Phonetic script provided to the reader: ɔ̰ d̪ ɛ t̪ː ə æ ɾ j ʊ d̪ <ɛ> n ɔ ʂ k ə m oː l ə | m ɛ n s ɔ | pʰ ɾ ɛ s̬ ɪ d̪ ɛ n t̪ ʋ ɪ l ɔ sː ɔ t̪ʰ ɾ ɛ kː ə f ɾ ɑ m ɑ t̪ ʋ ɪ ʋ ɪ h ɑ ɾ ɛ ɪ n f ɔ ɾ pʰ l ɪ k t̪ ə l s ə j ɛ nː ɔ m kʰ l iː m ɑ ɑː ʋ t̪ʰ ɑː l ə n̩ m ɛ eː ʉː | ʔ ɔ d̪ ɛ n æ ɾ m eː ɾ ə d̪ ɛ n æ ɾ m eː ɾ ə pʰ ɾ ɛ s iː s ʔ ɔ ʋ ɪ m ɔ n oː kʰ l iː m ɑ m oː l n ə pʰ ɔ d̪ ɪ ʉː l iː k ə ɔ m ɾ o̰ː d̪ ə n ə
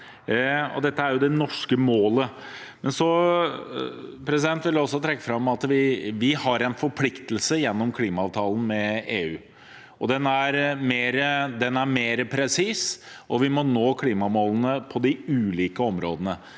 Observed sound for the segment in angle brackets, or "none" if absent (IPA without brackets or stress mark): ɛ